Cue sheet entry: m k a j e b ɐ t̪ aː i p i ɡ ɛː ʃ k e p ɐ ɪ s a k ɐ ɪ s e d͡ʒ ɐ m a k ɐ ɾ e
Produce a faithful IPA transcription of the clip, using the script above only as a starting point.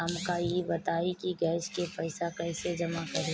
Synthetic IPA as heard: m k a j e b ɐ t̪ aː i k i ɡ ɛː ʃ k e p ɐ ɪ s a k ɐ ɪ s e d͡ʒ ɐ m a k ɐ ɾ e